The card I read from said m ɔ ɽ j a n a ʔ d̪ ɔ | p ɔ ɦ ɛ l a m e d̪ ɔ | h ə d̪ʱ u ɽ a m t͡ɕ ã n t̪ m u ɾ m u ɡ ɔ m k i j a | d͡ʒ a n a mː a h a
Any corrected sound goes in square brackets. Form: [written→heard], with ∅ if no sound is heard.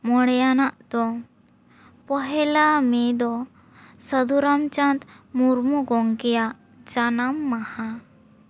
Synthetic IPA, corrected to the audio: m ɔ ɽ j a n a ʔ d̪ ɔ | p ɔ ɦ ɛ l a m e d̪ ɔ | [h→s] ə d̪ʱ u [ɽ→ɾ] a m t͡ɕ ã n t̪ m u ɾ m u ɡ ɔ [m→ŋ] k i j a | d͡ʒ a n a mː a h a